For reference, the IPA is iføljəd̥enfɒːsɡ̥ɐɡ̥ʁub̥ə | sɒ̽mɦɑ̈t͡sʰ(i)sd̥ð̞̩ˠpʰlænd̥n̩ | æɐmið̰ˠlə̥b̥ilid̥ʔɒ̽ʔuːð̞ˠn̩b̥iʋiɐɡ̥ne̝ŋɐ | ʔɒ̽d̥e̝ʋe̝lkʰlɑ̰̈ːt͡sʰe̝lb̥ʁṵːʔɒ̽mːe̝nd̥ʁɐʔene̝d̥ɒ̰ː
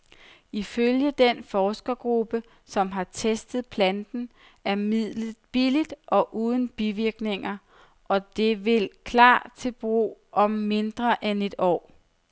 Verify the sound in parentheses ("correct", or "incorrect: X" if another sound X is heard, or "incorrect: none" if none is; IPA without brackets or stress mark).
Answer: incorrect: e